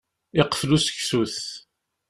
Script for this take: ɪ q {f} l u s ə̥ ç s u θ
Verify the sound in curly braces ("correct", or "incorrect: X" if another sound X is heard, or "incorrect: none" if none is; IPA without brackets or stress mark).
correct